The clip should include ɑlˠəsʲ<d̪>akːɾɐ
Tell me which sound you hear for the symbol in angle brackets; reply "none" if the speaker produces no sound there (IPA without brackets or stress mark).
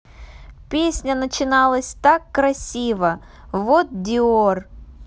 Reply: t̪